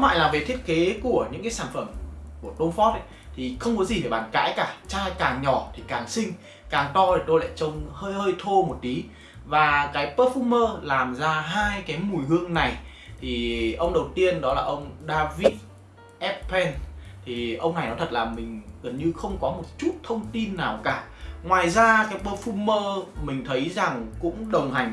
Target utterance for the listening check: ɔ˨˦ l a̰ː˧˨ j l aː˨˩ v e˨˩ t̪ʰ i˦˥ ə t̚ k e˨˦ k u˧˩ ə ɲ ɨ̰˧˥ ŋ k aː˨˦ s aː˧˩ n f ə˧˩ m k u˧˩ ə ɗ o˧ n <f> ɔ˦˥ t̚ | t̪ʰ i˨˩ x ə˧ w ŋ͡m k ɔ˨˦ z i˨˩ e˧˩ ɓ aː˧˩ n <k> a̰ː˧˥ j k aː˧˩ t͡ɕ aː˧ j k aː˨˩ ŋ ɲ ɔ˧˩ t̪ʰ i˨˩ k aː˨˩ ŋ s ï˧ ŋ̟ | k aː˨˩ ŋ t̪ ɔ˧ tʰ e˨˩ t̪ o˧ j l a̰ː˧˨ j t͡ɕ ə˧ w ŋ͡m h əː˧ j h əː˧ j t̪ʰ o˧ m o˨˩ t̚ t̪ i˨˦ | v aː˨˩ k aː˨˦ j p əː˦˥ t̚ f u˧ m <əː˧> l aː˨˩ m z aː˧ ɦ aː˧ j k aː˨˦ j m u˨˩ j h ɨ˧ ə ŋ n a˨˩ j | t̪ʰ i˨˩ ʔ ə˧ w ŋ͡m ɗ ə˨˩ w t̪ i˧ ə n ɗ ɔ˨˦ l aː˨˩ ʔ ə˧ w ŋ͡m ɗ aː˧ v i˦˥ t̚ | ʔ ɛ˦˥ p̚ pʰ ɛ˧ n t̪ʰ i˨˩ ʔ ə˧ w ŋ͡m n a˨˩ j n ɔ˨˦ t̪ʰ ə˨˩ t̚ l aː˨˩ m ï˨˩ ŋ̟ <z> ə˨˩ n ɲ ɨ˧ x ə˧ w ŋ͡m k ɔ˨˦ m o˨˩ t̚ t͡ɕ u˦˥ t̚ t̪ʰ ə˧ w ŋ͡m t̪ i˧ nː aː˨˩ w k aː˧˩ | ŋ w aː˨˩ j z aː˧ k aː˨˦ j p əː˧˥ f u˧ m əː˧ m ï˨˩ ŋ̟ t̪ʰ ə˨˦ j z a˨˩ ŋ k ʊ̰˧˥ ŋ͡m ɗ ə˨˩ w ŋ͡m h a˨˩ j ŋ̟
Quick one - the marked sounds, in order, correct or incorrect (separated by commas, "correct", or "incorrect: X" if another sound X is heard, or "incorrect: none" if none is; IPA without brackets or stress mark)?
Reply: correct, correct, correct, incorrect: ɣ